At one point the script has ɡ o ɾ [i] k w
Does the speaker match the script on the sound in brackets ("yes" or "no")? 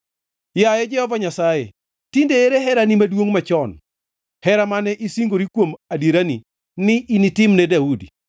yes